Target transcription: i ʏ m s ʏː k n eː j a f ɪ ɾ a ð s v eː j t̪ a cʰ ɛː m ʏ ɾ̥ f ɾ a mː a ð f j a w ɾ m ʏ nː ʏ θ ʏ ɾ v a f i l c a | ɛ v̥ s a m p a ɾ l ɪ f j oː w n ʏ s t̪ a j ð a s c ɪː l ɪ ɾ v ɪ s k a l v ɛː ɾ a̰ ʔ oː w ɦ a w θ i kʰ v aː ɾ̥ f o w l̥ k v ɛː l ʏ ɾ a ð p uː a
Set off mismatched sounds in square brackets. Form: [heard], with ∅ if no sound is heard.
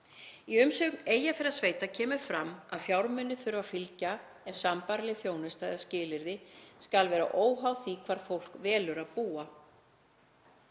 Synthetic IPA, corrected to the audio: i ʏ m s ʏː k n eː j a f ɪ ɾ a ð s v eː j t̪ a cʰ ɛː m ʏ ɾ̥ f ɾ a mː a ð f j a w ɾ m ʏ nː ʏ θ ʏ ɾ v a f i l c a | ɛ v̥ s a m p a ɾ l ɪ [θ] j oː w n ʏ s t̪ a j ð a s c ɪː l ɪ ɾ [ð] ɪ s k a l v ɛː ɾ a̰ ʔ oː w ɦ a w θ i kʰ v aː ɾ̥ f o w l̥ k v ɛː l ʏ ɾ a ð p uː a